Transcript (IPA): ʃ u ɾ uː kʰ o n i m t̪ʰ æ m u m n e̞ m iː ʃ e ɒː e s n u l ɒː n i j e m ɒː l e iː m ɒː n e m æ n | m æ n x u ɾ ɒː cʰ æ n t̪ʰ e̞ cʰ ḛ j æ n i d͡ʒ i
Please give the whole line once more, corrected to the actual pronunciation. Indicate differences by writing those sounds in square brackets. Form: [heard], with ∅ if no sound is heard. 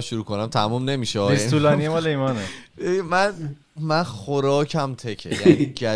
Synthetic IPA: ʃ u ɾ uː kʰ o n [æ] m t̪ʰ æ m u m n e̞ m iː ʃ e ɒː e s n u l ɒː n i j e m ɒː l e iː m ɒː n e m æ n | m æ n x [o] ɾ ɒː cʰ æ [m] t̪ʰ e̞ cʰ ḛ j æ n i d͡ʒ [æ]